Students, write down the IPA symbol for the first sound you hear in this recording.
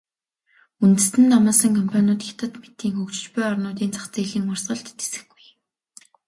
u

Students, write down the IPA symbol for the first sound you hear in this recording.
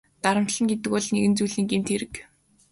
t̪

